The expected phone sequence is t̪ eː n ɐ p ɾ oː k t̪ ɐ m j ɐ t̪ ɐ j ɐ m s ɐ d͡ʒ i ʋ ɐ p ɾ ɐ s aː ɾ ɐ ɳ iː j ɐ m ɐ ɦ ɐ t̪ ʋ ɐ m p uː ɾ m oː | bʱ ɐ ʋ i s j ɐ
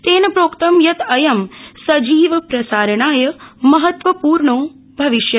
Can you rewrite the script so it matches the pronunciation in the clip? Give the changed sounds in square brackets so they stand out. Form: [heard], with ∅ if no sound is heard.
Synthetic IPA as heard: t̪ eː n ɐ p ɾ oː k t̪ ɐ m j ɐ t̪ ɐ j ɐ m s ɐ d͡ʒ [iː] ʋ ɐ p ɾ ɐ s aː ɾ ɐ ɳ [aː] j ɐ m ɐ ɦ ɐ t̪ ʋ ɐ [∅] p uː ɾ [ɳ] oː | bʱ ɐ ʋ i [ʃ] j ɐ

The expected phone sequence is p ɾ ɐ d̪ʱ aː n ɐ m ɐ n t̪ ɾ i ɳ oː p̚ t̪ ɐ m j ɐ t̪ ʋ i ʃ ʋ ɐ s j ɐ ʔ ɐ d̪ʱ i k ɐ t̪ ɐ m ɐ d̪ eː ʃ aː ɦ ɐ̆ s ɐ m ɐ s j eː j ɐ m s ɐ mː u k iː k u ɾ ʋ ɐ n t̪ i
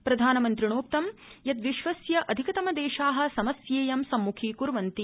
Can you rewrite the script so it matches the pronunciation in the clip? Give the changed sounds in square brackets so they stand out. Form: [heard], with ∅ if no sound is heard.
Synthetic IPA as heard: p ɾ ɐ d̪ʱ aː n ɐ m ɐ n t̪ ɾ i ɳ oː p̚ t̪ ɐ m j ɐ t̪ ʋ i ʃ ʋ ɐ s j ɐ ʔ ɐ d̪ʱ i k ɐ t̪ ɐ m ɐ d̪ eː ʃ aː ɦ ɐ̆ s ɐ m ɐ s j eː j ɐ m s ɐ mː u [kʰ] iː k u ɾ ʋ ɐ n t̪ i

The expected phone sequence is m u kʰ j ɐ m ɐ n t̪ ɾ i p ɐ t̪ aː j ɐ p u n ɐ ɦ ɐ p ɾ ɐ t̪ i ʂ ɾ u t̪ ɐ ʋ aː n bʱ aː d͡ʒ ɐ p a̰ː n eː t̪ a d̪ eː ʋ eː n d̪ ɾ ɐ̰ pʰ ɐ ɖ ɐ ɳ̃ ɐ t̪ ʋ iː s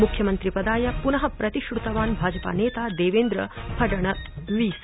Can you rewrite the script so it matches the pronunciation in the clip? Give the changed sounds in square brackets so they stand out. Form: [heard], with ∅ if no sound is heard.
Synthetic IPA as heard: m u kʰ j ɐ m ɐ n t̪ ɾ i p ɐ [d̪] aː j ɐ p u n ɐ ɦ ɐ p ɾ ɐ t̪ i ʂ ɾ u t̪ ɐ ʋ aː n bʱ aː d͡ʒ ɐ p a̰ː n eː t̪ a d̪ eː ʋ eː n d̪ ɾ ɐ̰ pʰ ɐ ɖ ɐ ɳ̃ ɐ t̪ ʋ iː s

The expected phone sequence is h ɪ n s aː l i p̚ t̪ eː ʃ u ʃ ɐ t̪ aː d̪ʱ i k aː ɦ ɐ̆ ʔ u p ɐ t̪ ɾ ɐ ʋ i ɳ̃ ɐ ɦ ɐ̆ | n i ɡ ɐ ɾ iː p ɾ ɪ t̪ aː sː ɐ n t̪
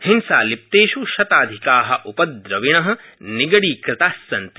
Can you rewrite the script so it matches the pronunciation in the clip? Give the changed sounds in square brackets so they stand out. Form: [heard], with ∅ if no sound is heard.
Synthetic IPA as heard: h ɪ n s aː l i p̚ t̪ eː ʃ u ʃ ɐ t̪ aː d̪ʱ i k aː ɦ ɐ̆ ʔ u p ɐ [d̪] ɾ ɐ ʋ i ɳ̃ ɐ ɦ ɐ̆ | n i ɡ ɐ [ɽ] iː [k] ɾ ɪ t̪ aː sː ɐ n t̪

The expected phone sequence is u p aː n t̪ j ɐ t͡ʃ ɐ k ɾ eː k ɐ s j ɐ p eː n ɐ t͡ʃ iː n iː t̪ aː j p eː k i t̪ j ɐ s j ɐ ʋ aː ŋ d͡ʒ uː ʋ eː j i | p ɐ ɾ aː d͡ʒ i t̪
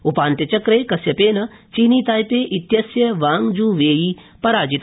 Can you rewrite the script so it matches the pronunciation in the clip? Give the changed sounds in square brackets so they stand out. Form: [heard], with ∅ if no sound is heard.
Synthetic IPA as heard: u p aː n t̪ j ɐ t͡ʃ ɐ k ɾ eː k ɐ s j ɐ p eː n ɐ t͡ʃ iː n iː t̪ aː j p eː [ʔ] i t̪ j ɐ s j ɐ ʋ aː ŋ d͡ʒ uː ʋ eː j i | p ɐ ɾ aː d͡ʒ i t̪

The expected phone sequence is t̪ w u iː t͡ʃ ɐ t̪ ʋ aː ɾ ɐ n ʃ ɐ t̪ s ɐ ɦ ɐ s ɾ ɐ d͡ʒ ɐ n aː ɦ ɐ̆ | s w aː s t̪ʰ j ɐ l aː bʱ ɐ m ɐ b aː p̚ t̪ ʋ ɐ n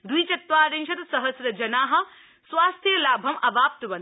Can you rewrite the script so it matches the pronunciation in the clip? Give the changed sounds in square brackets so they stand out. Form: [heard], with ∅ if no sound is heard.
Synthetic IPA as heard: [d̪] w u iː t͡ʃ ɐ t̪ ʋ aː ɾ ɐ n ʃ ɐ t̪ s ɐ ɦ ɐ s ɾ ɐ d͡ʒ ɐ n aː ɦ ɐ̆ | s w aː s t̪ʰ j ɐ l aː bʱ ɐ m ɐ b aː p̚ t̪ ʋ ɐ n

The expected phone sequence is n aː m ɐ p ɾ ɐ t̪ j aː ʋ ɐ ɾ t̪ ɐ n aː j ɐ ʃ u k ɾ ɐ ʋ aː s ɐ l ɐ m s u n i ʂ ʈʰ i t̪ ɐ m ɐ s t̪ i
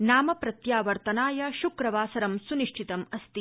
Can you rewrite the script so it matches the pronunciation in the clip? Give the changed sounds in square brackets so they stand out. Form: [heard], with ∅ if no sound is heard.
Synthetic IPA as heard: n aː m ɐ p ɾ ɐ t̪ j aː ʋ ɐ ɾ t̪ ɐ n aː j ɐ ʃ u k ɾ ɐ ʋ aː s ɐ [ɾ] ɐ m s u n i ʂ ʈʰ i t̪ ɐ m ɐ s t̪ i

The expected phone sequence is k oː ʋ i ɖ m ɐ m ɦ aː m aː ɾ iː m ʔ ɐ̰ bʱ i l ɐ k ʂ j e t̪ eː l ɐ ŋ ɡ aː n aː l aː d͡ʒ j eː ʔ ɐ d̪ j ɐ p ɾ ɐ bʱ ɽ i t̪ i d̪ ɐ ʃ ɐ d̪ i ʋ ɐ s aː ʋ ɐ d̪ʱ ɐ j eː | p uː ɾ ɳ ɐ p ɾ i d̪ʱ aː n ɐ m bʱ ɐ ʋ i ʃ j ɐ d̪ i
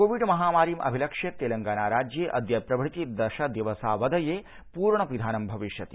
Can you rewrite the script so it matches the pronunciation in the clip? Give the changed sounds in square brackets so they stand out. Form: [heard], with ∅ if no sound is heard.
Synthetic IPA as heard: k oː ʋ i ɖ m ɐ [∅] ɦ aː m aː ɾ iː m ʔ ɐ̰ bʱ i l ɐ k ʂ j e t̪ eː l ɐ ŋ ɡ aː n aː [ɾ] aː d͡ʒ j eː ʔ ɐ d̪ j ɐ p ɾ ɐ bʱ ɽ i t̪ i d̪ ɐ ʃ ɐ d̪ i ʋ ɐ s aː ʋ ɐ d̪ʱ ɐ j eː | p uː ɾ ɳ ɐ p ɾ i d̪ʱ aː n ɐ m bʱ ɐ ʋ i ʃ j ɐ [t̪] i

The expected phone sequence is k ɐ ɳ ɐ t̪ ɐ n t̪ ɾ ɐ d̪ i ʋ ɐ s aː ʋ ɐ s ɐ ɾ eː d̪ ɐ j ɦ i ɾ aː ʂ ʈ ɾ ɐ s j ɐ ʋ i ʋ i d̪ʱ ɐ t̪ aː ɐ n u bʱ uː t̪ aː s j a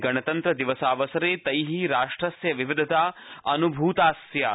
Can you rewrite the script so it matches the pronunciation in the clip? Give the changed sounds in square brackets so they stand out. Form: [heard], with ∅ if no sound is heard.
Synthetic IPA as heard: [ɡ] ɐ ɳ ɐ t̪ ɐ n t̪ ɾ ɐ d̪ i ʋ ɐ s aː ʋ ɐ s ɐ ɾ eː [t̪] ɐ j ɦ i ɾ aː ʂ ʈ ɾ ɐ s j ɐ ʋ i ʋ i d̪ʱ ɐ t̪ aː ɐ n u bʱ uː t̪ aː s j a

